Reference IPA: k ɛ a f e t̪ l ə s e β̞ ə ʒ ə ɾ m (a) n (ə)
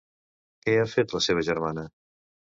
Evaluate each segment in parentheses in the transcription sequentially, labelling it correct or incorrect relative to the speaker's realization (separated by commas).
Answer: correct, correct